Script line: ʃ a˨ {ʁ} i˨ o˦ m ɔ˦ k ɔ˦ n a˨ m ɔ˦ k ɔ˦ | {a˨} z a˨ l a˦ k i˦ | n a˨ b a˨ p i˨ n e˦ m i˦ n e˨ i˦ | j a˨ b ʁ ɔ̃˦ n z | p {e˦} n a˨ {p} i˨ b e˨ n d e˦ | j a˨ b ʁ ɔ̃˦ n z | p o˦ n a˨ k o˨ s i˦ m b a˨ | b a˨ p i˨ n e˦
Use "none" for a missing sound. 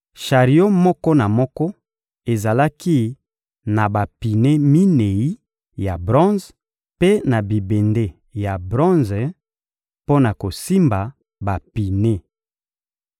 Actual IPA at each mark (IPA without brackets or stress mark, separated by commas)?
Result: ʁ, e˨, e˦, b